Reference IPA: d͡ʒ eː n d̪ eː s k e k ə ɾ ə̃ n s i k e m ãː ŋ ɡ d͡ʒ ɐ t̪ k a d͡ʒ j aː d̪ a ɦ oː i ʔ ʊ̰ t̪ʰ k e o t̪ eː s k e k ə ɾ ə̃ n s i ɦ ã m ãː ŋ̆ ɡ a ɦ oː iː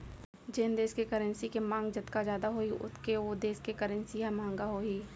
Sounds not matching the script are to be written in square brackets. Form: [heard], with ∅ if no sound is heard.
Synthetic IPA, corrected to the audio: d͡ʒ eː n d̪ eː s k e k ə ɾ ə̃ n s i k e m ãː ŋ ɡ d͡ʒ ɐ t̪ k a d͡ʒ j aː d̪ a ɦ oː i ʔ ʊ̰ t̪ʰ k e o [d̪] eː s k e k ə ɾ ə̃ n s i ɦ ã m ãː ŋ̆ ɡ a ɦ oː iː